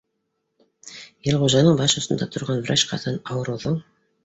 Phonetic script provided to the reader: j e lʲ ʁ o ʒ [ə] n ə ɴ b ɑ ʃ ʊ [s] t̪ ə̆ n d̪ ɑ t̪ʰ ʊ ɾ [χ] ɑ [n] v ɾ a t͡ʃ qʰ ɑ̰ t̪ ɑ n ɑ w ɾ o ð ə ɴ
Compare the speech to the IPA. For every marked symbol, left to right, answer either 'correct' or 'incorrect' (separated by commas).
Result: incorrect, correct, incorrect, correct